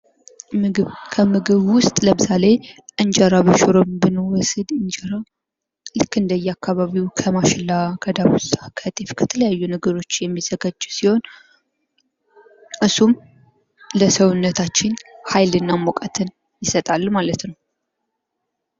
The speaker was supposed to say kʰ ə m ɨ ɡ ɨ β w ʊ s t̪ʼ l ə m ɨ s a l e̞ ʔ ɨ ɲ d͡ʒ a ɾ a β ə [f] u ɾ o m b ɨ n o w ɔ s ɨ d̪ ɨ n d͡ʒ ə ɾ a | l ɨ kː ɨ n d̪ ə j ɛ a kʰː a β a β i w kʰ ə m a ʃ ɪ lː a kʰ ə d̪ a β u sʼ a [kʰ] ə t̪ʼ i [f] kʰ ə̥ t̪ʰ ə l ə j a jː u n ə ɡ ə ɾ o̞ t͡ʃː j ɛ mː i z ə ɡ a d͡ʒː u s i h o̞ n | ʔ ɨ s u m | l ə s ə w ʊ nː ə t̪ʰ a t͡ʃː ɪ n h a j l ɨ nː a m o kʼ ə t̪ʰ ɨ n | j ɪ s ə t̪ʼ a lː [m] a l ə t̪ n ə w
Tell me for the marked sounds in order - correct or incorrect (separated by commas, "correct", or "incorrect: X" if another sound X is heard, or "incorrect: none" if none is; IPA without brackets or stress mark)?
incorrect: ʃ, correct, correct, correct